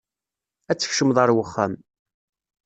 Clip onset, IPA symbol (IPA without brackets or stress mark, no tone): æ